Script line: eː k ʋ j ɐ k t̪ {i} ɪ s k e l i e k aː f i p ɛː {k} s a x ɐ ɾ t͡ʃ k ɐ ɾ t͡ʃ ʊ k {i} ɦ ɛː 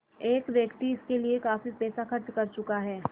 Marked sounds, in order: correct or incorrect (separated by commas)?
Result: correct, incorrect, incorrect